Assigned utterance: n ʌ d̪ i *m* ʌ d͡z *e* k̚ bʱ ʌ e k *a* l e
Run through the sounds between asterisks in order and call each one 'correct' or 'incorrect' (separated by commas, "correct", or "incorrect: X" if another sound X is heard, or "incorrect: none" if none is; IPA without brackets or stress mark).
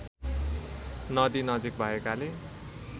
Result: incorrect: n, incorrect: i, correct